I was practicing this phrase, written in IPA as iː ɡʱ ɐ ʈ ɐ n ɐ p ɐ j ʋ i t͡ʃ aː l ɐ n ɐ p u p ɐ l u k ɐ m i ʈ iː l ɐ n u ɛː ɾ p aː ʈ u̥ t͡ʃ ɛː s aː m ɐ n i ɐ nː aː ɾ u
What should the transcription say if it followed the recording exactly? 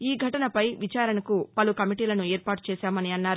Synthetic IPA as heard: iː ɡʱ ɐ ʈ ɐ n ɐ p ɐ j ʋ i t͡ʃ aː ɾ ɐ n ɐ k u p ɐ l u k ɐ m i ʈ iː l ɐ n u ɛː ɾ p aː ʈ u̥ t͡ʃ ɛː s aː m ɐ n i ɐ nː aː ɾ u

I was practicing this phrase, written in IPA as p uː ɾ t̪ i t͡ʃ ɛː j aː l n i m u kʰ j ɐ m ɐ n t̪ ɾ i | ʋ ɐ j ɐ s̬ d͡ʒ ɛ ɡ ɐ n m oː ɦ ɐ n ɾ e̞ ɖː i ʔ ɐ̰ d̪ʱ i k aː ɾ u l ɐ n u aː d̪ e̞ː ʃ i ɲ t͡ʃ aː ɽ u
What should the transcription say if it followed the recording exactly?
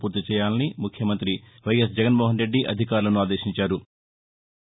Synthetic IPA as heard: p uː ɾ t̪ i t͡ʃ ɛː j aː l n i m u kʰ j ɐ m ɐ n t̪ ɾ i | ʋ ɐ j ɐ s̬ d͡ʒ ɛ ɡ ɐ n m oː ɦ ɐ n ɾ e̞ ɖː i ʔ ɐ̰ d̪ʱ i k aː ɾ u l ɐ n u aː d̪ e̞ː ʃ i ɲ t͡ʃ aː ɾ u

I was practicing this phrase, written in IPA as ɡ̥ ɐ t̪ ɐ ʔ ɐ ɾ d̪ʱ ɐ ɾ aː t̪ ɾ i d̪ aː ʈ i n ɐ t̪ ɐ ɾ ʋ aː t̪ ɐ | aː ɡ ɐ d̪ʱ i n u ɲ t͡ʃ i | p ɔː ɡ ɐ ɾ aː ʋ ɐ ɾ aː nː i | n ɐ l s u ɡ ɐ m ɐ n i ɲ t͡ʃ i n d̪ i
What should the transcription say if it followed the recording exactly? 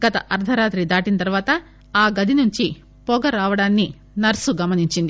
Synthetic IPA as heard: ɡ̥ ɐ t̪ ɐ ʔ ɐ ɾ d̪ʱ ɐ ɾ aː t̪ ɾ i d̪ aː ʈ i n ɐ t̪ ɐ ɾ ʋ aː t̪ ɐ | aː ɡ ɐ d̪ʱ i n u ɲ t͡ʃ i | p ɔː ɡ ɐ ɾ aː ʋ ɐ ɽ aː nː i | n ɐ ɾ s u ɡ ɐ m ɐ n i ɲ t͡ʃ i n d̪ i

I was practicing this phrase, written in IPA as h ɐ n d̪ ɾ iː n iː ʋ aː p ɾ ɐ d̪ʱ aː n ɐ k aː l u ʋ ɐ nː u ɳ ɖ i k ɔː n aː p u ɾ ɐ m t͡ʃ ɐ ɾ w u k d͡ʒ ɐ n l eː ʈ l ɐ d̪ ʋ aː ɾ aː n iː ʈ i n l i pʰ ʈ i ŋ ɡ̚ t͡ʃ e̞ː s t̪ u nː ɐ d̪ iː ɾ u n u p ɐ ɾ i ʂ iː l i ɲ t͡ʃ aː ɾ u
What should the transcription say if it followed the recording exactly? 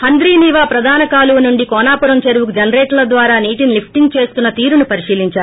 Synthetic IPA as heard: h ɐ n d̪ ɾ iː n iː ʋ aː p ɾ ɐ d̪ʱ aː n ɐ k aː l u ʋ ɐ n u ɳ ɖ i k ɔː n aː p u ɾ ɐ m t͡ʃ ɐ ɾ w u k d͡ʒ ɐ n ɾ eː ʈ l ɐ d̪ ʋ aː ɾ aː n iː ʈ i n l i pʰ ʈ i ŋ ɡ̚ t͡ʃ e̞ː s t̪ u nː ɐ t̪ iː ɾ u n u p ɐ ɾ i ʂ iː l i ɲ t͡ʃ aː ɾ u

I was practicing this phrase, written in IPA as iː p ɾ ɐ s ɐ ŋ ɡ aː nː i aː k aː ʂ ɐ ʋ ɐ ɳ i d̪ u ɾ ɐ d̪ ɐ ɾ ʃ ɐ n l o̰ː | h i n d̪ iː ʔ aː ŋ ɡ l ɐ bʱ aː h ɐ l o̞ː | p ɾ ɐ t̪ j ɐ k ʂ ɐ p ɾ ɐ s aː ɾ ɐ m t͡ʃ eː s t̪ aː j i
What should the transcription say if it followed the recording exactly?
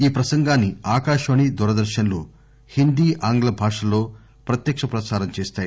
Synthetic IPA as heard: iː p ɾ ɐ s ɐ ŋ ɡ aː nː i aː k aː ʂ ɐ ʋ ɐ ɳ i d̪ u ɾ ɐ d̪ ɐ ɾ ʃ ɐ n l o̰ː | h i n d̪ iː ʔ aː ŋ ɡ l ɐ bʱ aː ʂ ɐ l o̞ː | p ɾ ɐ t̪ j ɐ k ʂ ɐ p ɾ ɐ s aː ɾ ɐ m t͡ʃ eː s t̪ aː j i

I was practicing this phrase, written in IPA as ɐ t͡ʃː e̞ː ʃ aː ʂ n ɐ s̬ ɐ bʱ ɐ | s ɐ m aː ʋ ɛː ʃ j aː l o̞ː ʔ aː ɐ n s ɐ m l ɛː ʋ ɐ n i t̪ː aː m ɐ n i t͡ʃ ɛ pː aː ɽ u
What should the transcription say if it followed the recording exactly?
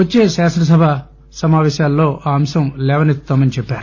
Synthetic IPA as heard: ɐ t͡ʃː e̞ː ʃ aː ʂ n ɐ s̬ ɐ bʱ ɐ | s ɐ m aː ʋ ɛː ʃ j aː lː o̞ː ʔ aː ɐ m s ɐ m l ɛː ʋ ɐ n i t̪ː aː m ɐ n i t͡ʃ ɛ pː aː ɾ u

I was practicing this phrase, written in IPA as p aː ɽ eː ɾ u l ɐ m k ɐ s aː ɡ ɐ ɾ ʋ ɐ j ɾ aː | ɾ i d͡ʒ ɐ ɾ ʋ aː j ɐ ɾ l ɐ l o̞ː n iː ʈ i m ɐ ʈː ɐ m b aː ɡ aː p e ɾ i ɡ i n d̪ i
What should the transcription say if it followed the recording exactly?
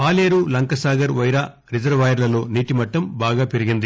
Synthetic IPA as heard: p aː l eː ɾ u l ɐ ŋ k ɐ s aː ɡ ɐ ɾ ʋ ɐ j ɾ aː | ɾ i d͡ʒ ɐ ɾ ʋ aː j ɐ ɾ l ɐ l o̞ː n iː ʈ i m ɐ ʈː ɐ m b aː ɡ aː p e ɾ i ɡ i n d̪ i

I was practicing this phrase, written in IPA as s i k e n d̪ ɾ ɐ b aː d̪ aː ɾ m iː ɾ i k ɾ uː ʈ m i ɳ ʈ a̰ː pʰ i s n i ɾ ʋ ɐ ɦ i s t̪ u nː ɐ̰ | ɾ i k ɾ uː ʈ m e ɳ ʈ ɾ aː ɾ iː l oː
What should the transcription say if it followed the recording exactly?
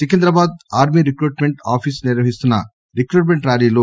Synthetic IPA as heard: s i k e n d̪ ɾ ɐ b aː d̪ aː ɾ m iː ɾ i k ɾ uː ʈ m e ɳ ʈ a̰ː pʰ i s n i ɾ ʋ ɐ ɦ i s t̪ u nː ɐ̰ | ɾ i k ɾ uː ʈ m e ɳ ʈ ɾ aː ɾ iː l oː

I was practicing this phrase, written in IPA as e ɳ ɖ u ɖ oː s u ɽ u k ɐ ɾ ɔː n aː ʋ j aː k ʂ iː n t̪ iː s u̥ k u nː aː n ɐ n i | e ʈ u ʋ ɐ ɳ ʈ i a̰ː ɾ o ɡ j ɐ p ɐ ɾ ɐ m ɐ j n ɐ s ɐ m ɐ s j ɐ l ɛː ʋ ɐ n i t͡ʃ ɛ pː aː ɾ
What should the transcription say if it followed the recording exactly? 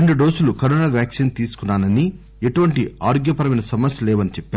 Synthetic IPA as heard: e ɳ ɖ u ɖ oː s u l u k ɐ ɾ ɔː n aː ʋ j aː k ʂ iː n t̪ iː s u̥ k u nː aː n ɐ n i | e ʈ u ʋ ɐ ɳ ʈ i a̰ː ɾ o ɡ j ɐ p ɐ ɾ ɐ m ɐ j n ɐ s ɐ m ɐ s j ɐ l ɛː ʋ ɐ n i t͡ʃ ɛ pː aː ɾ

